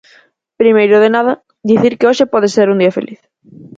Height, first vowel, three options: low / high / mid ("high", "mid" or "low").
high